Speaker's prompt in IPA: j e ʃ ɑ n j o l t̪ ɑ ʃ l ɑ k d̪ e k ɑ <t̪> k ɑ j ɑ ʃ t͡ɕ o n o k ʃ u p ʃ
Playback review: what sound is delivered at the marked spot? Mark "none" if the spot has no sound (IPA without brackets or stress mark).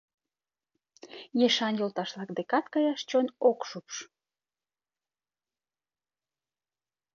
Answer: t̪